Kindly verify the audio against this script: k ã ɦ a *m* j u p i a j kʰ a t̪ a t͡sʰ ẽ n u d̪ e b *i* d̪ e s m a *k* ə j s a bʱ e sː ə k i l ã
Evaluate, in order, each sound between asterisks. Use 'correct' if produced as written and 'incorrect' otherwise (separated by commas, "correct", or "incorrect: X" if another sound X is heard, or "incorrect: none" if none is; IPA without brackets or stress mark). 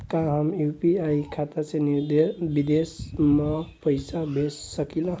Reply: correct, correct, incorrect: p